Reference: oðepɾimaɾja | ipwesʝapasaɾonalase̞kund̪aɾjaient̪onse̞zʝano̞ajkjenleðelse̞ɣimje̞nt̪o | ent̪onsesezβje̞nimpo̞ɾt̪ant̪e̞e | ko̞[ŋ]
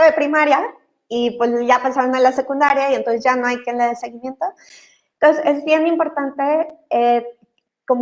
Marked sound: incorrect: m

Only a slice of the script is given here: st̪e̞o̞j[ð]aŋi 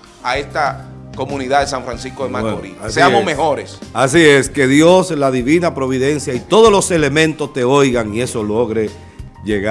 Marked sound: incorrect: ɣ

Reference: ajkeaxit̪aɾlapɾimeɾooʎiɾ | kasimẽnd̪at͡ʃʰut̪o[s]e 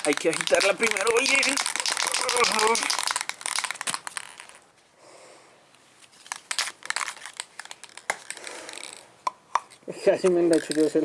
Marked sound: correct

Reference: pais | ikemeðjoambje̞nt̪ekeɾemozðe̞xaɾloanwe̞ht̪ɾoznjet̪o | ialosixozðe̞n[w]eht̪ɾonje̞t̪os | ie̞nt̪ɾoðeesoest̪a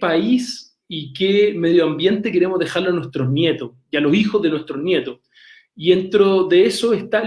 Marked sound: correct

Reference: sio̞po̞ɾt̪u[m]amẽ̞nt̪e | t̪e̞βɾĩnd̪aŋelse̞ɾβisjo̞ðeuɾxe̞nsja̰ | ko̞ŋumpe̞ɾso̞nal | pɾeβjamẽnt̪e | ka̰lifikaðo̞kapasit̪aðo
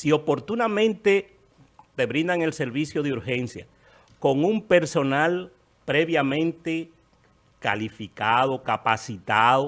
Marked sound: incorrect: n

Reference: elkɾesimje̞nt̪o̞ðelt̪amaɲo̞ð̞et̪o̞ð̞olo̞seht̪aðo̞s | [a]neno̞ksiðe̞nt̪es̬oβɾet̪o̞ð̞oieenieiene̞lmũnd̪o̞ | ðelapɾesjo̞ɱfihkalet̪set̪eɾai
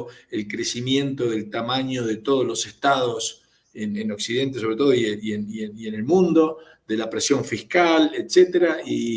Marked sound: incorrect: e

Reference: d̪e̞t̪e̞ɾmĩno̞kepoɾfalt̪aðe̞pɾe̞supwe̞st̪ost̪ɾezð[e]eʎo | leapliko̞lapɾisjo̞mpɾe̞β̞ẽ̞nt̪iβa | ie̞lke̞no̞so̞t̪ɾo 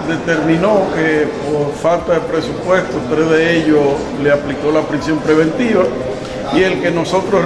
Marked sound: correct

